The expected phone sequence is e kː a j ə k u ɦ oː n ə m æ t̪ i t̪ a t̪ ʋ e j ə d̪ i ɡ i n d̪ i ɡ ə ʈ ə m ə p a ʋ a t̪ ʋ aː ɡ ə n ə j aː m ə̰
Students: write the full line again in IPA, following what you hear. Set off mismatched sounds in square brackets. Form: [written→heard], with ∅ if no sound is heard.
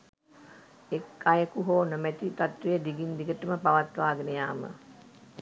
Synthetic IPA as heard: e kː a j ə k u ɦ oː n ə m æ t̪ i t̪ a t̪ ʋ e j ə d̪ i ɡ i n d̪ i ɡ ə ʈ ə m ə p a ʋ a t̪ ʋ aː ɡ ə n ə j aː m ə̰